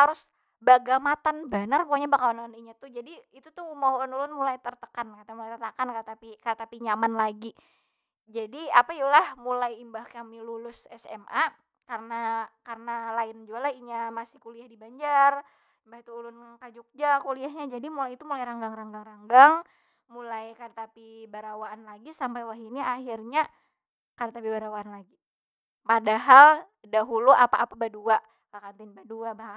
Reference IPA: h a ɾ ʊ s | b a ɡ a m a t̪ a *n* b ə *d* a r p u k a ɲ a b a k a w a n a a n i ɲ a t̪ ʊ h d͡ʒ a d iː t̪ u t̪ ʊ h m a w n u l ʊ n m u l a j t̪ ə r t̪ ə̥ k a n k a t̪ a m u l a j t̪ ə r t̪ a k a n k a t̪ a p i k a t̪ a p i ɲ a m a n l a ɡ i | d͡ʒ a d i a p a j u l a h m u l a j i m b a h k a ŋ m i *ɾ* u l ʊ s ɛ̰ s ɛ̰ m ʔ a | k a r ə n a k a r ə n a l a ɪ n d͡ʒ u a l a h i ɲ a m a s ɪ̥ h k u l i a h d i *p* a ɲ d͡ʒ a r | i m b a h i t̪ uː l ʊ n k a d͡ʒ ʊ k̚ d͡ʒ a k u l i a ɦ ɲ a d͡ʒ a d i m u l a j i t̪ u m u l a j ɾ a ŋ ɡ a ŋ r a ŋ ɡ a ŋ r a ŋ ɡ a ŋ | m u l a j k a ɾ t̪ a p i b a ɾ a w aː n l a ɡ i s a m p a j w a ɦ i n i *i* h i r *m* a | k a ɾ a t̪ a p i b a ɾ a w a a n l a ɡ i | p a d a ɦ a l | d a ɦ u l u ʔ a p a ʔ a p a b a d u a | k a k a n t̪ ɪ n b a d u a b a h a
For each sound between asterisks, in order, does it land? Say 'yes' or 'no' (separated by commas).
yes, no, no, no, no, no